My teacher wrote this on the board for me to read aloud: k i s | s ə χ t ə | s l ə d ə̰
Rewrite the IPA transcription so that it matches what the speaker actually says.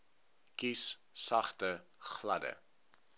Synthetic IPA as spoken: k i s | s ɐ χ t ə | χ l ɐ d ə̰